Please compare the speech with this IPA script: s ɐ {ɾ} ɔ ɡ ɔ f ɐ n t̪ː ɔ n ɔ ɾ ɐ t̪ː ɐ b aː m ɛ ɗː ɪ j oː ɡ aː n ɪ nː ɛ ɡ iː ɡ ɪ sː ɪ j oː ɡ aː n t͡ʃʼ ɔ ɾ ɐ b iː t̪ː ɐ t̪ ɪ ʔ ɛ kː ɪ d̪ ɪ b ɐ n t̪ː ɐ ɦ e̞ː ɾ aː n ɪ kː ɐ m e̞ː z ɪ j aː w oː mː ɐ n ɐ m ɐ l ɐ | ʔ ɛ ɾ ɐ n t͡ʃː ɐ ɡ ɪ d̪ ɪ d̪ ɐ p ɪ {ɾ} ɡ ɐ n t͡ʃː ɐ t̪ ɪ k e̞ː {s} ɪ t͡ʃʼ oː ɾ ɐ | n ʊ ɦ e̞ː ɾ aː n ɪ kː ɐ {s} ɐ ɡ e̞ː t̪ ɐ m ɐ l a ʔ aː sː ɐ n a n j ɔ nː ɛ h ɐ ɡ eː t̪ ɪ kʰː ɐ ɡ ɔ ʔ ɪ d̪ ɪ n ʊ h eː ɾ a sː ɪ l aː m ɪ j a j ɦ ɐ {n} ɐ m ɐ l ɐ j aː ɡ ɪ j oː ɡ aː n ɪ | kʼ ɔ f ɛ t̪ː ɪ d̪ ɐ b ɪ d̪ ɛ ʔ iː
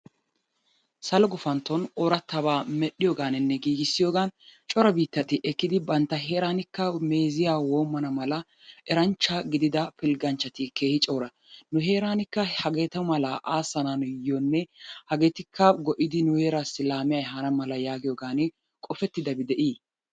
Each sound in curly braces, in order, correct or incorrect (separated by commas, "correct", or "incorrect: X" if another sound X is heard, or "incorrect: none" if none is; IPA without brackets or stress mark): incorrect: l, incorrect: l, incorrect: h, incorrect: h, correct